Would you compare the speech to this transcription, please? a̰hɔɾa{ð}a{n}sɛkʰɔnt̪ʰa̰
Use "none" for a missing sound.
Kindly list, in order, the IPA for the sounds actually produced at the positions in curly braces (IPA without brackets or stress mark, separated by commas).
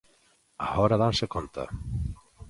ð, n